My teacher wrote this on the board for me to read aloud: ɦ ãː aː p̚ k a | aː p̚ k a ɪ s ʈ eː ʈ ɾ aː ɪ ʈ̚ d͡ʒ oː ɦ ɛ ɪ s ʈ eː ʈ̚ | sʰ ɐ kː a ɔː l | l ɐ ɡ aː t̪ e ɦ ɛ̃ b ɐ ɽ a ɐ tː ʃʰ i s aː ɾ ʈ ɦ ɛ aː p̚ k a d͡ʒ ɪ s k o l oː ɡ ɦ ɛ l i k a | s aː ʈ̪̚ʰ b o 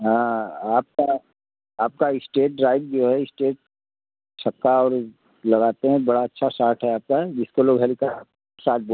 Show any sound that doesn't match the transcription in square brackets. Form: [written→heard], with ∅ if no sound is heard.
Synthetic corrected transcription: ɦ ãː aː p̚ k a | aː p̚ k a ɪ s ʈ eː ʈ ɾ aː ɪ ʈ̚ d͡ʒ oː ɦ ɛ ɪ s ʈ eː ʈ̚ | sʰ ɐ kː a ɔː [l→ɾ] | l ɐ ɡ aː t̪ e ɦ ɛ̃ b ɐ ɽ a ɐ tː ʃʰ [i→a] s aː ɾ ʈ ɦ ɛ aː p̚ k a d͡ʒ ɪ s k o l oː ɡ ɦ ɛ l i k a | s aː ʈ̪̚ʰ b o